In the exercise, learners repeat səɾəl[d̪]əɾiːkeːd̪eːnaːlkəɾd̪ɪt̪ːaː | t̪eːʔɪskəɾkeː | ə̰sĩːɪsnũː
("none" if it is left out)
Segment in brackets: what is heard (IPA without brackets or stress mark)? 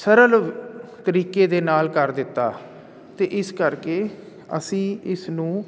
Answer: t̪